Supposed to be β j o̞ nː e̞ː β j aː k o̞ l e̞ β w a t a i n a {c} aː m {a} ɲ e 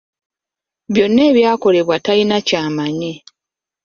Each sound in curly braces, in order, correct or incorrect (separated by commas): correct, correct